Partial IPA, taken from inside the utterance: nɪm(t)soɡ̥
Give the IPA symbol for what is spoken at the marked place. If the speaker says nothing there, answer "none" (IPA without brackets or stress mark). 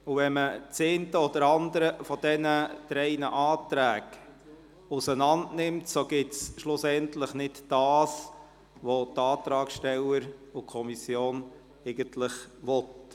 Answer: t